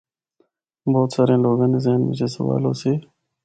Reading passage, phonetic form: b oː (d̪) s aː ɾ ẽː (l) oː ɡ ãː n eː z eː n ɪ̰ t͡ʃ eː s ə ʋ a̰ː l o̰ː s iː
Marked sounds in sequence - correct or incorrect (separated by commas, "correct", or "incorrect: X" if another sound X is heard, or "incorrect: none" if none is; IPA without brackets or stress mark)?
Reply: incorrect: t̪, correct